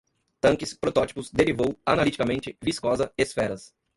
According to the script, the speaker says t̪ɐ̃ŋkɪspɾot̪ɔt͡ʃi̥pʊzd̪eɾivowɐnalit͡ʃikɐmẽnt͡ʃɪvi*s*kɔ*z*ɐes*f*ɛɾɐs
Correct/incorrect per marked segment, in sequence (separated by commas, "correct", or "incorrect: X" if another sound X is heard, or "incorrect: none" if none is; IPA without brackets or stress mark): correct, correct, correct